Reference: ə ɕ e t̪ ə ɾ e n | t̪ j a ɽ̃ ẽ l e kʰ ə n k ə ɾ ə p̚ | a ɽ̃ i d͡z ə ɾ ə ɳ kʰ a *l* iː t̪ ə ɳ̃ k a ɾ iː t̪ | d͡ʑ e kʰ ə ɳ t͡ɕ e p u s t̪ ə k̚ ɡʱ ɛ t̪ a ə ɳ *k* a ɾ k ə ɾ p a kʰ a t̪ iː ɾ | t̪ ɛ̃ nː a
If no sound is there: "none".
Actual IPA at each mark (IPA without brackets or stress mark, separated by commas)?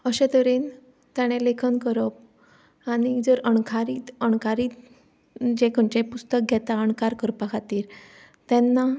ɾ, k